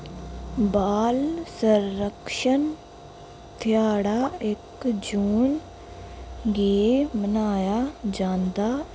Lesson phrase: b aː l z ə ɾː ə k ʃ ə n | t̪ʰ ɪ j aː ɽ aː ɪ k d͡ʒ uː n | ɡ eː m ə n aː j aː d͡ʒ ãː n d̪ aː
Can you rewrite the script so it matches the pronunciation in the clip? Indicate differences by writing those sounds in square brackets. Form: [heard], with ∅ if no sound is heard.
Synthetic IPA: b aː l [s] ə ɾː ə k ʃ ə n | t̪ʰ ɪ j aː ɽ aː ɪ k d͡ʒ uː n | ɡ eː m ə n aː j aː d͡ʒ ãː n d̪ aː

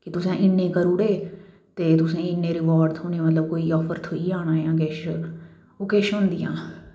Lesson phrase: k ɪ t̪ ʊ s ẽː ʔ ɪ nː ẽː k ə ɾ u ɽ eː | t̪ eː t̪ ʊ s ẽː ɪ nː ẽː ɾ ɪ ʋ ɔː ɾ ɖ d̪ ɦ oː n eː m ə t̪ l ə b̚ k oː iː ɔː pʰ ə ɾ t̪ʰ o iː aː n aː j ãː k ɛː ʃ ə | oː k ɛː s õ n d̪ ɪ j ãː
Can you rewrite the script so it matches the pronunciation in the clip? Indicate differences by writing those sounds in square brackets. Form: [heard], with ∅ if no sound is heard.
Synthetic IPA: k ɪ t̪ ʊ s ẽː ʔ ɪ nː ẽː k ə ɾ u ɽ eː | t̪ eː t̪ ʊ s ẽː ɪ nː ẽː ɾ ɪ ʋ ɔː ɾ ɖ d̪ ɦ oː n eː m ə t̪ l ə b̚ k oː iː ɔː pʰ ə ɾ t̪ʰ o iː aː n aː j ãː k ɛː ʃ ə | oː k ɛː [ʃ] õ n d̪ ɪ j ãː

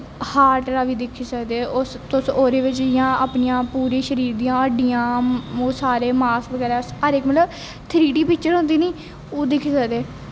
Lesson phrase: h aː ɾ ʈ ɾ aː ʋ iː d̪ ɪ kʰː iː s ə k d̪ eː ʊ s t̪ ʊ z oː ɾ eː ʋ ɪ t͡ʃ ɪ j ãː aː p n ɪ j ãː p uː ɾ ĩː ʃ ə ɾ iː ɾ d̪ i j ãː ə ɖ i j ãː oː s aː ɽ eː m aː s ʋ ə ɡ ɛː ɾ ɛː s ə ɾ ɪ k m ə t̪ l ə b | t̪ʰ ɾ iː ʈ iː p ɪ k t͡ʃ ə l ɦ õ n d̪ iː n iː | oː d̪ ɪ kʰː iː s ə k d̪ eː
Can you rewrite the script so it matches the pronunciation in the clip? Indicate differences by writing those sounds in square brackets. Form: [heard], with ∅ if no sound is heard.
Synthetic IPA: h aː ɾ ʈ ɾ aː ʋ iː d̪ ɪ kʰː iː s ə k d̪ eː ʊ s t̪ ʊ [s] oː ɾ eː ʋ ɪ t͡ʃ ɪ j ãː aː p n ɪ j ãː p uː ɾ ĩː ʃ ə ɾ iː ɾ d̪ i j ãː ə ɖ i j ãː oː s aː [ɾ] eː m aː s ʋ ə ɡ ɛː ɾ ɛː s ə ɾ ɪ k m ə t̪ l ə b | t̪ʰ ɾ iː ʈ iː p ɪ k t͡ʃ ə [ɾ] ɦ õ n d̪ iː n iː | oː d̪ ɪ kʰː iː s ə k d̪ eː

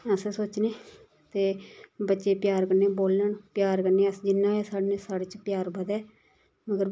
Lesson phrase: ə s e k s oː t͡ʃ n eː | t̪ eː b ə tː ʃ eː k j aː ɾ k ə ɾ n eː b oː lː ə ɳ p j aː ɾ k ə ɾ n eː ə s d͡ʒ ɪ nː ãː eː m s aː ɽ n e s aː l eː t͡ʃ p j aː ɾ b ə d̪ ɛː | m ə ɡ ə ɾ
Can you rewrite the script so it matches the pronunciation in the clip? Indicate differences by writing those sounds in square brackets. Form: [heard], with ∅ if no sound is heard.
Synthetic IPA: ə s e [∅] s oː t͡ʃ n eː | t̪ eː b ə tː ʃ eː [p] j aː ɾ k ə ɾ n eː b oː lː ə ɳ p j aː ɾ k ə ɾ n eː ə s d͡ʒ ɪ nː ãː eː [∅] s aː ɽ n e s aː [ɽ] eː t͡ʃ p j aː ɾ b ə d̪ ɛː | m ə ɡ ə ɾ

